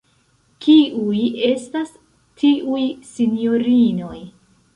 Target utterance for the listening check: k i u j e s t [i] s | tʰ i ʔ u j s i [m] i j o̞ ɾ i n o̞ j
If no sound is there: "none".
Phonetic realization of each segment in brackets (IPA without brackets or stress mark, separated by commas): a, n